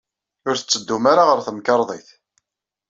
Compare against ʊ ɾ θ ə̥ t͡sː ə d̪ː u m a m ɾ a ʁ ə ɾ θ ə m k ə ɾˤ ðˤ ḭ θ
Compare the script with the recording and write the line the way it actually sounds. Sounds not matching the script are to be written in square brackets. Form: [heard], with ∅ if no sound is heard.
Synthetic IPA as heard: ʊ ɾ θ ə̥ t͡sː ə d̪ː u m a [∅] ɾ a ʁ ə ɾ θ ə m k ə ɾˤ ðˤ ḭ θ

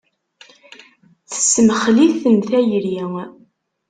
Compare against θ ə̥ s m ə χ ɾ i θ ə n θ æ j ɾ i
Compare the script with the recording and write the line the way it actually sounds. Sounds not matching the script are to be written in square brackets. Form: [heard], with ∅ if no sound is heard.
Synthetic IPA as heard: θ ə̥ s m ə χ [l] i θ ə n θ æ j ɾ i

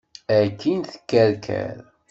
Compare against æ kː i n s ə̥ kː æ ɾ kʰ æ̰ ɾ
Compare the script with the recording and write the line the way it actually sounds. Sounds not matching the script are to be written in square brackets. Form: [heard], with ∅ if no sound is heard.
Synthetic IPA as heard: æ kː i n [θ] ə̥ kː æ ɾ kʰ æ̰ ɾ

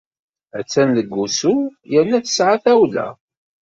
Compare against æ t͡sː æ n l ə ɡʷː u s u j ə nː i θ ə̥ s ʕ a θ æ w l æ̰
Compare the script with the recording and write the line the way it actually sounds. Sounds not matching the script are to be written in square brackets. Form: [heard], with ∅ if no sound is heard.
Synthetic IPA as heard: æ t͡sː æ n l ə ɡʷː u s u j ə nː [æ] θ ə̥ s ʕ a θ æ w l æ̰

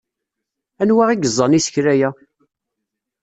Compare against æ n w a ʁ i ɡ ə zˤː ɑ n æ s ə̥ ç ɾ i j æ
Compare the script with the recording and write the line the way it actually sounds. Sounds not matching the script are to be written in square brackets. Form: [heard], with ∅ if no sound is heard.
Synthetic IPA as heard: æ n w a ʁ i ɡ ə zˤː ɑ n [i] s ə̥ ç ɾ [æ] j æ

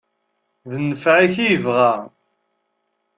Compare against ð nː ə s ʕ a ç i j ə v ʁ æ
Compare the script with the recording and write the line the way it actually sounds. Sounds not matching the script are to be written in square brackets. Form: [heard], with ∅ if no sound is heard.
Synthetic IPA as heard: ð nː ə [f] ʕ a ç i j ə v ʁ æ

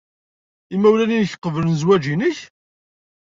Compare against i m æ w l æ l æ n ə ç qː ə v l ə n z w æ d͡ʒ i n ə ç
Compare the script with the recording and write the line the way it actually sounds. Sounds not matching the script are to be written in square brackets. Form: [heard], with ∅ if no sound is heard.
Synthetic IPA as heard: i m æ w l æ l [i] n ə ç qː ə v l ə n z w æ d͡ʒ i n ə ç

